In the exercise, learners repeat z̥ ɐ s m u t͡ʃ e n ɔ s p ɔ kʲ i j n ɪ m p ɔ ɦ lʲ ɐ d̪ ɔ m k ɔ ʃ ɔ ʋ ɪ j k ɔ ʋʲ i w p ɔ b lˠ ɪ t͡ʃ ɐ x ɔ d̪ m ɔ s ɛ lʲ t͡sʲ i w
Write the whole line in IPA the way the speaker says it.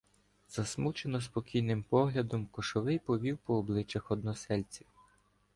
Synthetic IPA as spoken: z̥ ɐ s m u t͡ʃ e n ɔ s p ɔ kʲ i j n ɪ m p ɔ ɦ lʲ ɐ d̪ ɔ m k ɔ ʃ ɔ ʋ ɪ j p ɔ ʋʲ i w p ɔː b lˠ ɪ t͡ʃ ɐ x ɔ d̪ n ɔ s ɛ lʲ t͡sʲ i w